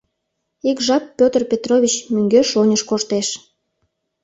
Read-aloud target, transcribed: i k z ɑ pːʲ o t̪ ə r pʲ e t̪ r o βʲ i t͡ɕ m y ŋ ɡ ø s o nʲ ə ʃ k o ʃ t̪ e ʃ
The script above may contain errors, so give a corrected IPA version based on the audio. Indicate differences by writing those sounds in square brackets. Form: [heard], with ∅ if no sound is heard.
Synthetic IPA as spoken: i k [ʒ] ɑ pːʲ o t̪ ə r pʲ e t̪ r o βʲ i t͡ɕ m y ŋ ɡ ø [ʃ] o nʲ ə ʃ k o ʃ t̪ e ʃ